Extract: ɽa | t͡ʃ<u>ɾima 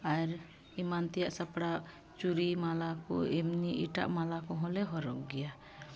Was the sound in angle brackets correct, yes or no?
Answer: yes